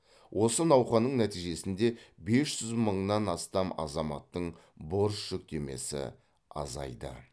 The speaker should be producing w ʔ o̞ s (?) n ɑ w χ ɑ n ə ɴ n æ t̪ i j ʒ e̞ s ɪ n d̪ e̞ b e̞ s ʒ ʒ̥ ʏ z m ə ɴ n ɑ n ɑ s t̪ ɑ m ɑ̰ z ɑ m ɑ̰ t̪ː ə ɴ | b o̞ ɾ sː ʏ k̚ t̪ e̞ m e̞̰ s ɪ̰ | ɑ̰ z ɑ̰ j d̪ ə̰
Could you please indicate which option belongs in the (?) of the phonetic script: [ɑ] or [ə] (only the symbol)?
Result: ə